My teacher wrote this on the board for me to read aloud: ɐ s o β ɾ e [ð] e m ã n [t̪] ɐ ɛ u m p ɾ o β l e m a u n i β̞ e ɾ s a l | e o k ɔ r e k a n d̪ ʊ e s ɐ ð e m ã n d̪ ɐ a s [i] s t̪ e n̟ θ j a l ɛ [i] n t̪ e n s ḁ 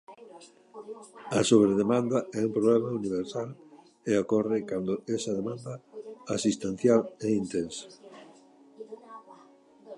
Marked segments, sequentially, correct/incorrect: correct, incorrect, correct, correct

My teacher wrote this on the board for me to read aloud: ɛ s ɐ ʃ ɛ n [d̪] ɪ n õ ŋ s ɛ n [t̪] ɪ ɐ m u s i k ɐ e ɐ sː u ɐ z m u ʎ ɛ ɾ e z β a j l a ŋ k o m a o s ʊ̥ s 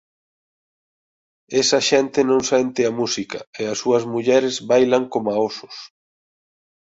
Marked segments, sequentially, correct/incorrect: incorrect, correct

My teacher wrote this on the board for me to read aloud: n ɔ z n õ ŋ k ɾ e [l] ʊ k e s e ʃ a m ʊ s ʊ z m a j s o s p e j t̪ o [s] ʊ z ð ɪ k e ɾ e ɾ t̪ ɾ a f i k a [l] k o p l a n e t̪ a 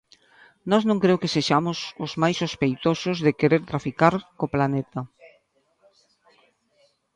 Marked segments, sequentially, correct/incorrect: incorrect, correct, incorrect

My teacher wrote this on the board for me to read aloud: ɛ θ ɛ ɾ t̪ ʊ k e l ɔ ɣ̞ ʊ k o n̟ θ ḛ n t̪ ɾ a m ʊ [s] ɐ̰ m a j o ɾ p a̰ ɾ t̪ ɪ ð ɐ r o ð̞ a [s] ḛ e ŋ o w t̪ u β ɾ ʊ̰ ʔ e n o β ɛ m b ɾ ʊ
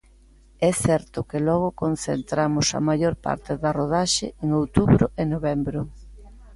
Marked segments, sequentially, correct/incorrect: correct, incorrect

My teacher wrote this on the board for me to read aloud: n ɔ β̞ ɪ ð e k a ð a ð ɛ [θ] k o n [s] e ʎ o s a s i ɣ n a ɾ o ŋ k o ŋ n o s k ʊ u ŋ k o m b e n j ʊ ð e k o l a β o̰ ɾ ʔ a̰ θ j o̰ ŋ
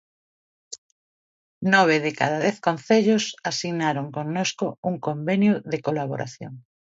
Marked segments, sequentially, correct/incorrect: correct, incorrect

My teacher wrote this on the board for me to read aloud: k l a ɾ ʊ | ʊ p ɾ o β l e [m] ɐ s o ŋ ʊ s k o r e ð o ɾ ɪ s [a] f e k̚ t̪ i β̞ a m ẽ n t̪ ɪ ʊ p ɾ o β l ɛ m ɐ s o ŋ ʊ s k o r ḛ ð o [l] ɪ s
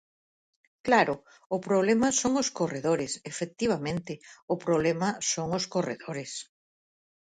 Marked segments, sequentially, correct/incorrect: correct, incorrect, incorrect

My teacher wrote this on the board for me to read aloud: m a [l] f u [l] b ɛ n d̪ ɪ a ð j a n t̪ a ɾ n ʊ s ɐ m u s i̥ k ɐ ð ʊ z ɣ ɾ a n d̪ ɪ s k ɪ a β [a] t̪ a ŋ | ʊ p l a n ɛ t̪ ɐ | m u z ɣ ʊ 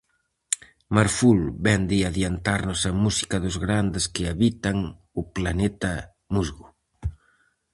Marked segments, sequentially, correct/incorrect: incorrect, correct, incorrect

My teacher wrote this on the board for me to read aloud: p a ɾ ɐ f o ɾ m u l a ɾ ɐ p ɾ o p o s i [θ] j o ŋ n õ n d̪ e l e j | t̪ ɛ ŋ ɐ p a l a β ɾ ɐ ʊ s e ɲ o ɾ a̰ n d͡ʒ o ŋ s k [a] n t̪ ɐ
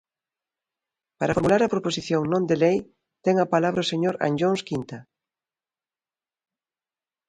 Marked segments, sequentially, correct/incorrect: correct, incorrect

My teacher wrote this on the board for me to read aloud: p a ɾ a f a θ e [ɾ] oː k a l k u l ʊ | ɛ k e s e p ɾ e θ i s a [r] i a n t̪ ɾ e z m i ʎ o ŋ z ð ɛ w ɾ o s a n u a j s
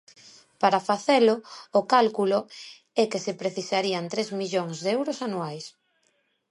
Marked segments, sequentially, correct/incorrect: incorrect, incorrect

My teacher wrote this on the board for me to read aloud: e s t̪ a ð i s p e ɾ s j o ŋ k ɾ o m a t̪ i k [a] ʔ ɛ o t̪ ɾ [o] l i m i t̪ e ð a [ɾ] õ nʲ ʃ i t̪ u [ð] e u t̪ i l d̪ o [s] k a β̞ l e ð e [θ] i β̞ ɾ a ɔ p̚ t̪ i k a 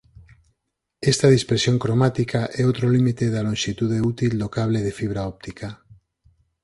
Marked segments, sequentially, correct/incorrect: correct, correct, incorrect, correct, incorrect, incorrect

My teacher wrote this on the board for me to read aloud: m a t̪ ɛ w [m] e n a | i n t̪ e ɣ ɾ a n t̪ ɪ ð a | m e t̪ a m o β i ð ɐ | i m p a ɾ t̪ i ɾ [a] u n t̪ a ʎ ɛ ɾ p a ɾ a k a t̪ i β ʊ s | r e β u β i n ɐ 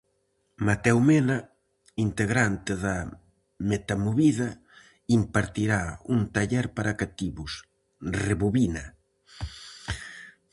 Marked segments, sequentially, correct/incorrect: correct, correct

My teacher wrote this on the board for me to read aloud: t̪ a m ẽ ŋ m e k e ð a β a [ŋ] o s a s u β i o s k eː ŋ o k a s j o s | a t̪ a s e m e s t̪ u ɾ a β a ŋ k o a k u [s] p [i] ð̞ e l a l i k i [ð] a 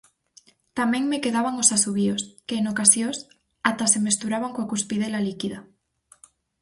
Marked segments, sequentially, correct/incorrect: correct, correct, correct, correct

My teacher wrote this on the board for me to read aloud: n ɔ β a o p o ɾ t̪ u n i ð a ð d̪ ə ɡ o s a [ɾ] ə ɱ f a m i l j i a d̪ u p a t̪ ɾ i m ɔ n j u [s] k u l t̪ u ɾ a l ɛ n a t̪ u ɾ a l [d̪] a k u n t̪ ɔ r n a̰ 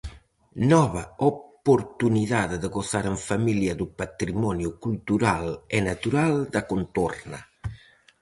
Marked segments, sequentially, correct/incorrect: correct, incorrect, correct

